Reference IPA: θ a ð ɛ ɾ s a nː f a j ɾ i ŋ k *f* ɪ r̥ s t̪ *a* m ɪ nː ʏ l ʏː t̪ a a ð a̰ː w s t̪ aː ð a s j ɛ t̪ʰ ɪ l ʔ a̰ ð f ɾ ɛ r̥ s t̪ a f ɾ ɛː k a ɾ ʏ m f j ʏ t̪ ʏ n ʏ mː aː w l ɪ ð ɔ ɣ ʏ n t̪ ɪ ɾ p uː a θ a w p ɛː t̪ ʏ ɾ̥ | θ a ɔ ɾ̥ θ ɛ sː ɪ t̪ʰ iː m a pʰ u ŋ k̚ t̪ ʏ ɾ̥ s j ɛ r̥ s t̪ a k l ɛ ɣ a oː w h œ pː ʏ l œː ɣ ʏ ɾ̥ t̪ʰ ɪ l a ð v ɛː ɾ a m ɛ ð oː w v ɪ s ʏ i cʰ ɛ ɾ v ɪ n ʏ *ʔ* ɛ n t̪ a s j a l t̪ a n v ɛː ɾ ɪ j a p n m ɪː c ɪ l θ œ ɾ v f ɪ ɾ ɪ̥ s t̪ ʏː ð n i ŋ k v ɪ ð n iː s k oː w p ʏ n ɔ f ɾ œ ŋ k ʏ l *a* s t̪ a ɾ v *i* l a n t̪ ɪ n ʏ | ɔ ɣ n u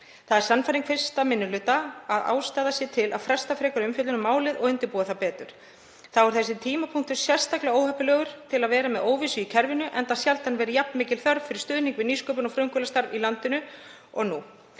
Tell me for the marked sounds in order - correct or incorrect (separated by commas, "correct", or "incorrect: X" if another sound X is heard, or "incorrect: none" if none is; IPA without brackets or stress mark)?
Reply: correct, correct, correct, correct, correct